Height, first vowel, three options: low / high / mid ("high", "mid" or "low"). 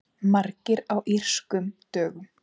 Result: low